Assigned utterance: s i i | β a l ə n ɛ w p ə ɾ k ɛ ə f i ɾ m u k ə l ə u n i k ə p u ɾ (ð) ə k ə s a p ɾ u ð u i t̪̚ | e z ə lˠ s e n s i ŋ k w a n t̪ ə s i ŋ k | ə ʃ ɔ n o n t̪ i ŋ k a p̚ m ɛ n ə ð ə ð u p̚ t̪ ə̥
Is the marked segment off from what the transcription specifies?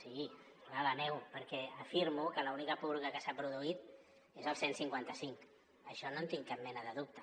yes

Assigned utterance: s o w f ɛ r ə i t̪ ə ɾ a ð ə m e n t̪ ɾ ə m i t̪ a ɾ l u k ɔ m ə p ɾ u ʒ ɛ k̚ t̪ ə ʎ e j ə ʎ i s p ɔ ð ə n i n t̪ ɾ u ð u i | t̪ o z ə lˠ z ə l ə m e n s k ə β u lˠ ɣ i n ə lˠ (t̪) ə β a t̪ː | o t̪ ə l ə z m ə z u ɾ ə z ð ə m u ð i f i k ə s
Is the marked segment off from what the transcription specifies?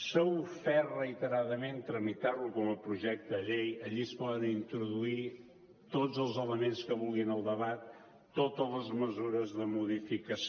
yes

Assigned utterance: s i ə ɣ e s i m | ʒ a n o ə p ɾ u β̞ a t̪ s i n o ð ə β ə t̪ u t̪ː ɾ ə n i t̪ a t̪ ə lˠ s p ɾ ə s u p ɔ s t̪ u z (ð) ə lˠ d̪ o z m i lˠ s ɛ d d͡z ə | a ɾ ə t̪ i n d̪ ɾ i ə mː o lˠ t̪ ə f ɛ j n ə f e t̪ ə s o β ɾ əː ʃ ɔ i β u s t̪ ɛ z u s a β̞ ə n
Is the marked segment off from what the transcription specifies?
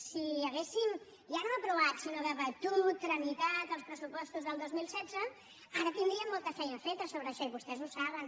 no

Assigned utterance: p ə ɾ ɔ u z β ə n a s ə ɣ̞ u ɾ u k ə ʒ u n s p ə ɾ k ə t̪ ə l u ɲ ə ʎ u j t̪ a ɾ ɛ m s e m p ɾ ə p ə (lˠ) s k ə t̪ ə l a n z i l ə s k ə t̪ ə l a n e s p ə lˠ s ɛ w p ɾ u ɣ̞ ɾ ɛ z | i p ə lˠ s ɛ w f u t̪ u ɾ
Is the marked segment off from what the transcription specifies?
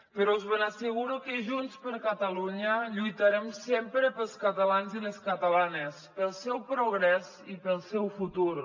no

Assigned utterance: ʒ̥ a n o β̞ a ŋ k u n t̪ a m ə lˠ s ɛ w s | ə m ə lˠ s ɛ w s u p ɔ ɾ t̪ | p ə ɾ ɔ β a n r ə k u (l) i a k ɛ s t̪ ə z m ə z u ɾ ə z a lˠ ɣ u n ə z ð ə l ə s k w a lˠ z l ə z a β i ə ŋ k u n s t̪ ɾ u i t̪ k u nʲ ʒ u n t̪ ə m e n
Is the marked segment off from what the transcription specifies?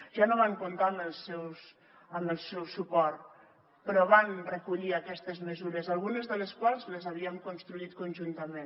yes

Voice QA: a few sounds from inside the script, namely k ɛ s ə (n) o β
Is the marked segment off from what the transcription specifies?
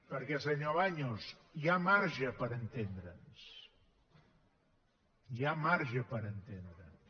yes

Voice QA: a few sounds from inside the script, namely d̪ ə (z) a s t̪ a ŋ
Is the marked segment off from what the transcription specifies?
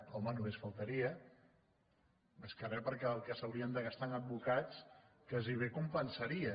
yes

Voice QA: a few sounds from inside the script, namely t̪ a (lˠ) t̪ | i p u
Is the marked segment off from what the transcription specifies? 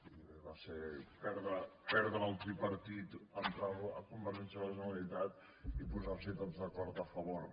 yes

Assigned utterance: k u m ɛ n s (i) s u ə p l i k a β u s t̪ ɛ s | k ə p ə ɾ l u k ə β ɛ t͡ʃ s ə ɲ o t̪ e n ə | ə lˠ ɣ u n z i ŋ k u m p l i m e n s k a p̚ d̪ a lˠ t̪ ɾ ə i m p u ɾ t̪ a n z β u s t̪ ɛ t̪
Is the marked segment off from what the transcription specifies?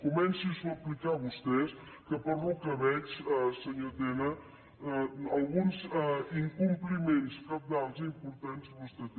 no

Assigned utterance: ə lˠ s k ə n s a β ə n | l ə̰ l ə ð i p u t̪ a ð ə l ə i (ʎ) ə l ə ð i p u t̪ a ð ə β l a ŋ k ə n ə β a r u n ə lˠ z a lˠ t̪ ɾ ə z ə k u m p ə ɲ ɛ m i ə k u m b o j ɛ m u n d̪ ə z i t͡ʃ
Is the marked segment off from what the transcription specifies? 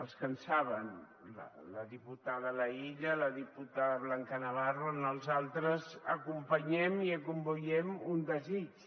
no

